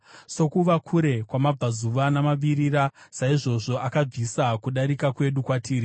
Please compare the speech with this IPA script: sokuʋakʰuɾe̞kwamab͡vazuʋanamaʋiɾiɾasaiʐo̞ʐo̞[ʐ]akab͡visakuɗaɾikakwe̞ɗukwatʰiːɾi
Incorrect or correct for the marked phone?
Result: incorrect: none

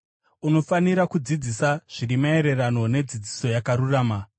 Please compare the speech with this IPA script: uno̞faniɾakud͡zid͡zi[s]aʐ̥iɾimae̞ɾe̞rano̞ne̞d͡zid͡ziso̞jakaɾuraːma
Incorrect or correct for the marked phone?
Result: correct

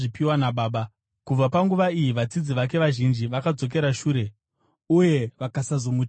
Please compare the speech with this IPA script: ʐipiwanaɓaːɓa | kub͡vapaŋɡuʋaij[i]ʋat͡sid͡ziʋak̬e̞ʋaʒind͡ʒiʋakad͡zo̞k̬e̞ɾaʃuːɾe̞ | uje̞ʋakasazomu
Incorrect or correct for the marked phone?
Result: correct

